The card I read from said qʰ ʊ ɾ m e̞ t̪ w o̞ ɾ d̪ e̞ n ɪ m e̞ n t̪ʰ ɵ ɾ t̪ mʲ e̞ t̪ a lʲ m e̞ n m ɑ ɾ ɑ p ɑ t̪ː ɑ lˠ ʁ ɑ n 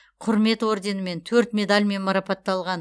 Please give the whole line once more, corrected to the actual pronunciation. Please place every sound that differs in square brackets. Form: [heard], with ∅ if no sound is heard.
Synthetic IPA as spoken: qʰ ʊ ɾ m e̞ t̪ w o̞ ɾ d̪ e̞ n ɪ m e̞ n t̪ʰ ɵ ɾ t̪ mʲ e̞ [d̪] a lʲ m e̞ n m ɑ ɾ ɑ p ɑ t̪ː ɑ lˠ ʁ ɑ n